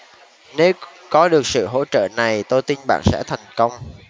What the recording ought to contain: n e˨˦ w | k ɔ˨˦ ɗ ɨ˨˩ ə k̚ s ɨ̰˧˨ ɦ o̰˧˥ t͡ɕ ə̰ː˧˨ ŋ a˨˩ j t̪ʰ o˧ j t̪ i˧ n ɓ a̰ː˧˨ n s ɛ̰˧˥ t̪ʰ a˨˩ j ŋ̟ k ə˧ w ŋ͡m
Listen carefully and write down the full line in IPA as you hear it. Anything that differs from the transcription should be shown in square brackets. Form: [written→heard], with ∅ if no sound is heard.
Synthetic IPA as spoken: n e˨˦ w | k ɔ˨˦ ɗ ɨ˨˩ ə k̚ s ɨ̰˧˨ ɦ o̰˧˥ t͡ɕ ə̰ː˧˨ [ŋ→n] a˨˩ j [t̪ʰ→t̪] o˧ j t̪ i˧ n ɓ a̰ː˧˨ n s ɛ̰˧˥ t̪ʰ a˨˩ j ŋ̟ k ə˧ w ŋ͡m